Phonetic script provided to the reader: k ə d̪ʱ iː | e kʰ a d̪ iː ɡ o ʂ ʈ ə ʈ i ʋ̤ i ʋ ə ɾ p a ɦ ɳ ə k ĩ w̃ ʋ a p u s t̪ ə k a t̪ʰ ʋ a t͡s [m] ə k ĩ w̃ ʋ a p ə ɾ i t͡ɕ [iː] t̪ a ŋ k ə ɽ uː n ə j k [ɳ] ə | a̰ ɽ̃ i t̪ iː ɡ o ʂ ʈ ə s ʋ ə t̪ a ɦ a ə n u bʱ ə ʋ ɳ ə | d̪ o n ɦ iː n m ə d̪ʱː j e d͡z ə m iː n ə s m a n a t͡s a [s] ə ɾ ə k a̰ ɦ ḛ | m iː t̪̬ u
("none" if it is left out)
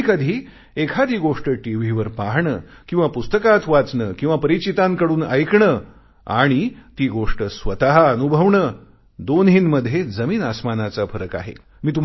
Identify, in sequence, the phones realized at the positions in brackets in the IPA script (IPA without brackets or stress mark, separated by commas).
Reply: ɳ, i, ɳ, f